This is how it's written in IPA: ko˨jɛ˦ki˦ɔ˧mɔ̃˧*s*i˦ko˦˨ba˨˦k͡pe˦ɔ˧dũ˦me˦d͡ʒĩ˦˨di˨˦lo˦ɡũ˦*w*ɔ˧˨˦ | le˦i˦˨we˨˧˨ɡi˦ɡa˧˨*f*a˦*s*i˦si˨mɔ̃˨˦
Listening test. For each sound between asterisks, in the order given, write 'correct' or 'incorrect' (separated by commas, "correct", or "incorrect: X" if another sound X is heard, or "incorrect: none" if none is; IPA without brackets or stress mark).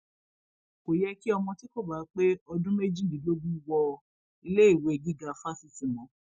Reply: incorrect: t, correct, correct, correct